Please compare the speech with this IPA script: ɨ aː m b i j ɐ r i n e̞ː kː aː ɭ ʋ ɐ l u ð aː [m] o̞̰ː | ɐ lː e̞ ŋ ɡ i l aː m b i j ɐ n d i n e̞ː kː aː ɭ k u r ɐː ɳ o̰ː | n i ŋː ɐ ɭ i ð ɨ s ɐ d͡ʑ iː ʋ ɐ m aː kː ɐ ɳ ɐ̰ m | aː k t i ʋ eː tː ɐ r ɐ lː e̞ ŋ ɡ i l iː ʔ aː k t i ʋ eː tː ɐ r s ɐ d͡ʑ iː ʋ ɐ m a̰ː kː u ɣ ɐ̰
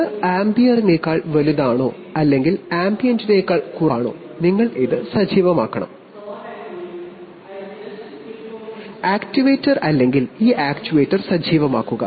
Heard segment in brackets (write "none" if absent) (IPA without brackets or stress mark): ɳ